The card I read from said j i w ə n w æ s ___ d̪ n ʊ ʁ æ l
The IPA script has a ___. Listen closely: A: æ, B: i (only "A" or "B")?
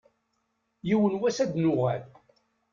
A